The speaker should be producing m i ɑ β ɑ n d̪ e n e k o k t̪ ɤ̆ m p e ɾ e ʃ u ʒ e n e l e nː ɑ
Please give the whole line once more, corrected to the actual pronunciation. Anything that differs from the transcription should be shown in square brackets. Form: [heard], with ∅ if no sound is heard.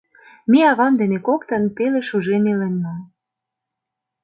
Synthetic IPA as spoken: m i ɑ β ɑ [m] d̪ e n e k o k t̪ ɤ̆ [n] p e [l] e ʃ u ʒ e n e l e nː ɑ